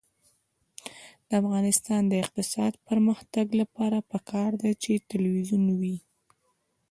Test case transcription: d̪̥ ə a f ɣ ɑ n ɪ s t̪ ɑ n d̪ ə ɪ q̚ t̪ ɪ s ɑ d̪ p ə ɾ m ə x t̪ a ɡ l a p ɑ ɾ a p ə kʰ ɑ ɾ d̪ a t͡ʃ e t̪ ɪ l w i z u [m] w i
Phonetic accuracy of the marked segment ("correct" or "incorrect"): incorrect